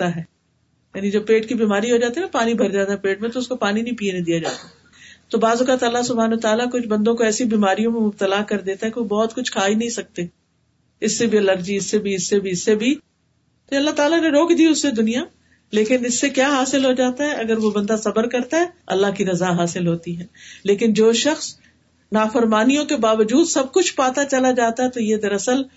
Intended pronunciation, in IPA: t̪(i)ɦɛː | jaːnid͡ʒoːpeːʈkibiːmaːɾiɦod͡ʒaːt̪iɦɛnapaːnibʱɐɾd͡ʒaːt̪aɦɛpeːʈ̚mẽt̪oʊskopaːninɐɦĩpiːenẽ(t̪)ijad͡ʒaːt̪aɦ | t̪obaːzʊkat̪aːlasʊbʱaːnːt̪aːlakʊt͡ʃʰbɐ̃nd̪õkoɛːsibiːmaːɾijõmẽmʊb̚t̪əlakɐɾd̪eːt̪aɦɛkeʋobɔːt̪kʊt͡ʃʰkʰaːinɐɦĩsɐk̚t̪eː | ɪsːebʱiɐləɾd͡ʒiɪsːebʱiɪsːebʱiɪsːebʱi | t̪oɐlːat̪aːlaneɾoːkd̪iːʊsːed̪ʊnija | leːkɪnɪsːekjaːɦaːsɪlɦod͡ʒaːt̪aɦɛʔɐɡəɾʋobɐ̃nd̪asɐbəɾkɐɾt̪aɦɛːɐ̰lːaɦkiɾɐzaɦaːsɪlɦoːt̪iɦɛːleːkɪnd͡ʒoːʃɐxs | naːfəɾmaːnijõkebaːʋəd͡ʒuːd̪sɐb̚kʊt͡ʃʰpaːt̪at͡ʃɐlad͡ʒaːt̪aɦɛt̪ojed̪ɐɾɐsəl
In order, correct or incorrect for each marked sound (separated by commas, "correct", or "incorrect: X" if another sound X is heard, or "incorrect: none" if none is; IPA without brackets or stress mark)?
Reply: incorrect: a, incorrect: d̪